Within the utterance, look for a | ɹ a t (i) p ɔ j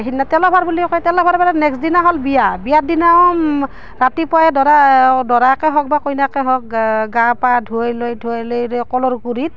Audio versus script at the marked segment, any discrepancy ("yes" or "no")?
no